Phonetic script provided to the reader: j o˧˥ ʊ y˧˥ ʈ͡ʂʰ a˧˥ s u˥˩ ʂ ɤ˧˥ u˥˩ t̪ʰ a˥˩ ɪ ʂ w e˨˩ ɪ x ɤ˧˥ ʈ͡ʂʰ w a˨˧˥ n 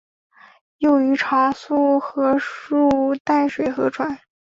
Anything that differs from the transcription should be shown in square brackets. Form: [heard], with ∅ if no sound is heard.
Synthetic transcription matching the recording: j [o˥˩] ʊ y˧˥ ʈ͡ʂʰ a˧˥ s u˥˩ [x] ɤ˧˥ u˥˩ [t̪] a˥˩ ɪ ʂ w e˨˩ ɪ x ɤ˧˥ ʈ͡ʂʰ w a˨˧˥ n